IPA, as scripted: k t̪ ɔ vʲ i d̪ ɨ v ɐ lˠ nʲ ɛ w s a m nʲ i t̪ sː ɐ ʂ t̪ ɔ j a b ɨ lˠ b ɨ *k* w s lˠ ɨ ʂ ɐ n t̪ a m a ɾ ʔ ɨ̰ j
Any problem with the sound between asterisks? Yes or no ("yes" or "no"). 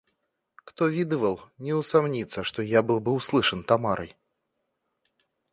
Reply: yes